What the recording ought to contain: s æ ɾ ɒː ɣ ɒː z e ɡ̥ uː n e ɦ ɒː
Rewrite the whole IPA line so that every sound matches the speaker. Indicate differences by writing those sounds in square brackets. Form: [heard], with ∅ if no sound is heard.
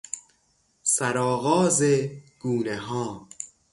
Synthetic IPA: s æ ɾ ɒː ɣ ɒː z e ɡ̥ uː n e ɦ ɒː